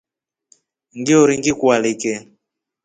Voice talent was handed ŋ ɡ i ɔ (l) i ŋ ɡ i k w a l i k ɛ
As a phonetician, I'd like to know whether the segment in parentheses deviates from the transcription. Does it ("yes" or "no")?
yes